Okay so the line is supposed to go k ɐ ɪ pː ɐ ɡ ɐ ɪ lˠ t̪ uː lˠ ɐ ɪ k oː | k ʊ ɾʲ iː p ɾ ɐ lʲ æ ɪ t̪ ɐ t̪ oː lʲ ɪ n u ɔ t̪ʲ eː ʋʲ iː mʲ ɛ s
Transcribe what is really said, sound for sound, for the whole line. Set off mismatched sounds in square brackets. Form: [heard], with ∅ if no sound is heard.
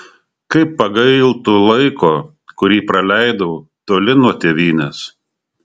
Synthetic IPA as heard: k ɐ ɪ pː ɐ ɡ ɐ ɪ lˠ t̪ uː lˠ ɐ ɪ k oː | k ʊ ɾʲ iː p ɾ ɐ lʲ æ ɪ [d̪] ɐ t̪ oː lʲ ɪ n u ɔ t̪ʲ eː ʋʲ iː [nʲ] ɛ s